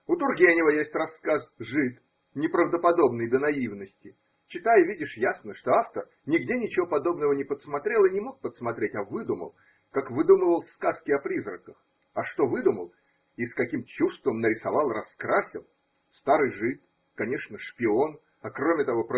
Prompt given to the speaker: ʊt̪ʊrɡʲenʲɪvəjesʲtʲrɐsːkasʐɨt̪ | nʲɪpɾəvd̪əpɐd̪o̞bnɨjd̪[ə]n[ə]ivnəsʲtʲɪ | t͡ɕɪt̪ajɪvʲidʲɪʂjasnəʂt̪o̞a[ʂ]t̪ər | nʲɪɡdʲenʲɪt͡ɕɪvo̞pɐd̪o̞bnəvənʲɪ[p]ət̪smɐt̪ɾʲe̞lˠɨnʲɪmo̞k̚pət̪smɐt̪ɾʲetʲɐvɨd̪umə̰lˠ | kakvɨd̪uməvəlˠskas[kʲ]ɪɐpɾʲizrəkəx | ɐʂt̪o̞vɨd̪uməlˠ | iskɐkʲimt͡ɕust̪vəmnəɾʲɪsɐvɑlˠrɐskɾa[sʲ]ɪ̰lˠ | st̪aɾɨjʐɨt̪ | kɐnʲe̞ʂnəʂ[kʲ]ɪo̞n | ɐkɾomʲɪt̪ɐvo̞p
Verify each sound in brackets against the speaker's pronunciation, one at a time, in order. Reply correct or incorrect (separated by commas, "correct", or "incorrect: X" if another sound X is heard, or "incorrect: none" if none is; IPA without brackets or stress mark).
correct, incorrect: ɐ, incorrect: f, correct, correct, correct, incorrect: pʲ